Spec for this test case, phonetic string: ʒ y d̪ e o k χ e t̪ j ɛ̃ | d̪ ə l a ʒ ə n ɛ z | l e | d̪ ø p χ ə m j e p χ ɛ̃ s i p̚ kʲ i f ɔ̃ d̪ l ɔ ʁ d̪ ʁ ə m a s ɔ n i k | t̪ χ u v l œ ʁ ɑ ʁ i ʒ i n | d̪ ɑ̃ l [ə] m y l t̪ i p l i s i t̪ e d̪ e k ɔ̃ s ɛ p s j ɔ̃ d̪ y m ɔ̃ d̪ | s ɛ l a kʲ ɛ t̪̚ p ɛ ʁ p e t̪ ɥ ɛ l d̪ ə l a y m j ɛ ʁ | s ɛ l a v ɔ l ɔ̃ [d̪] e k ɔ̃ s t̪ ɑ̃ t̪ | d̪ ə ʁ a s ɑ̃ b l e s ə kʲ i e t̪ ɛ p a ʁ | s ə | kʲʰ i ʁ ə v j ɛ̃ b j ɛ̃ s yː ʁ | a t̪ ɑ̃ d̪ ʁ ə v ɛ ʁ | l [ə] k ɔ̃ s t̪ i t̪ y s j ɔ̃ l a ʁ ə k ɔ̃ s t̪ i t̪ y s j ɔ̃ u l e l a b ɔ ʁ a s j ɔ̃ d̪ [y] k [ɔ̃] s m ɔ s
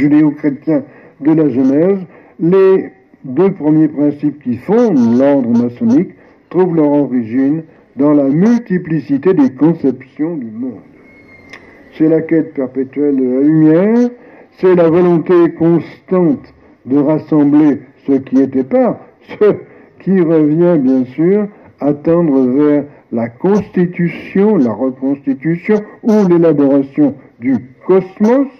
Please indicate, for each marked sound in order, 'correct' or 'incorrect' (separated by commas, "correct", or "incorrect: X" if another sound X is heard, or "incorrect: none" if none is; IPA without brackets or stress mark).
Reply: incorrect: a, incorrect: t̪, incorrect: a, correct, incorrect: ɔ